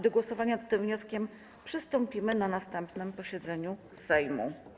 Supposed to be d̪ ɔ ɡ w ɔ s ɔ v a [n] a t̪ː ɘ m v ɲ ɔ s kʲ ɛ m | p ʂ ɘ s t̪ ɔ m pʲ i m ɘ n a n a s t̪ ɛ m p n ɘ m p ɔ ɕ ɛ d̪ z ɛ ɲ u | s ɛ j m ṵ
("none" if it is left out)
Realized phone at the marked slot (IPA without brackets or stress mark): ɲ